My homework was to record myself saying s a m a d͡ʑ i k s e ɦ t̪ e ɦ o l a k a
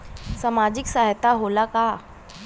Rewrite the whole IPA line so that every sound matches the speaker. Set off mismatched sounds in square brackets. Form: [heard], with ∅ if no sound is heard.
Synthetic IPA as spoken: s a m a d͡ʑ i k s [a] ɦ t̪ [a] ɦ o l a k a